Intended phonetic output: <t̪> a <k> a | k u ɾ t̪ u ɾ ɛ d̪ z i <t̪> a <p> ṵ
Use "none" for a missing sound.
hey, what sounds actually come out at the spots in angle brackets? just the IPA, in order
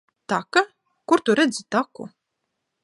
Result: t̪, k, t̪, k

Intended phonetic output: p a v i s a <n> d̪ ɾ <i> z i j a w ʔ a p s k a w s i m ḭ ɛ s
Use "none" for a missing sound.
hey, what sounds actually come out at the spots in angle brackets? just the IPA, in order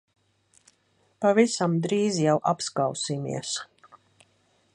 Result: m, iː

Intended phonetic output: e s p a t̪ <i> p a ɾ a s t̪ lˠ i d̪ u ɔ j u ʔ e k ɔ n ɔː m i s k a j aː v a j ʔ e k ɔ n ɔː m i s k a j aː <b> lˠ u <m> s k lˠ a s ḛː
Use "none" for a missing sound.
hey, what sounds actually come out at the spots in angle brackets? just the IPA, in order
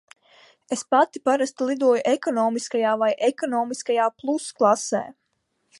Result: i, p, none

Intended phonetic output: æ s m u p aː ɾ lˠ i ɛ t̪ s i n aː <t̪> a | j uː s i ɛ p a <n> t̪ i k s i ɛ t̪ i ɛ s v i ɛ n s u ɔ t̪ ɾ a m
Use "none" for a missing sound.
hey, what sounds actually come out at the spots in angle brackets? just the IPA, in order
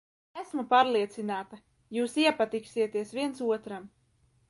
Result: t̪, none

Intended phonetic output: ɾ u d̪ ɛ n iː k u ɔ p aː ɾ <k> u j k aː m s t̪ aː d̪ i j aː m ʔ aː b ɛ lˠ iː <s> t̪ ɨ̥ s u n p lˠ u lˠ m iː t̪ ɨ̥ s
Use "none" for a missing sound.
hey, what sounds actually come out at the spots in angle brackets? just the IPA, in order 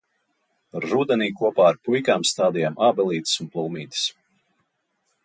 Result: p, none

